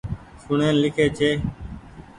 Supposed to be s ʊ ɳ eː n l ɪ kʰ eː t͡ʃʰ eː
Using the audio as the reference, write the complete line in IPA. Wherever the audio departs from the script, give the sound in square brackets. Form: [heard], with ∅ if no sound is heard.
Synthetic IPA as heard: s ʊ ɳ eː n l ɪ kʰ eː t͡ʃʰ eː